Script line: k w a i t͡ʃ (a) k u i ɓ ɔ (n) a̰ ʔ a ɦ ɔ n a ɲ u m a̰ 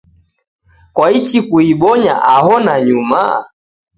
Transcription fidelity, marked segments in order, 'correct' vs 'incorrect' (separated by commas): incorrect, incorrect